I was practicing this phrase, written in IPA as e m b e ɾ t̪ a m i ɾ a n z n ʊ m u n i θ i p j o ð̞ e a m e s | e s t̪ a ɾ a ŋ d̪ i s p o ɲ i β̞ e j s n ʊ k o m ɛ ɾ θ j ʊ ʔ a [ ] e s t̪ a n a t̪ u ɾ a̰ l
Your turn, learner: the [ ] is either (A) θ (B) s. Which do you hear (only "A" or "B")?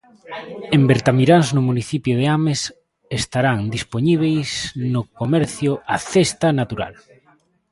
A